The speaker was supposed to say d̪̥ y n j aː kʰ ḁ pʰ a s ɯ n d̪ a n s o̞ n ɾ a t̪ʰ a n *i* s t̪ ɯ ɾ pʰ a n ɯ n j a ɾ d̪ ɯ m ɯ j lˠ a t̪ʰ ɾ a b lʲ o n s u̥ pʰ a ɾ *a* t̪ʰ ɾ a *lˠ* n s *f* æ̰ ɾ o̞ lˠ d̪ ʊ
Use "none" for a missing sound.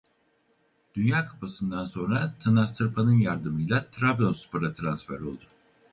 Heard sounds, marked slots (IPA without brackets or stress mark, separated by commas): a, a, none, f